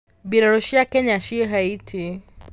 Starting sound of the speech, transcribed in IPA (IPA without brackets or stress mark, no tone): b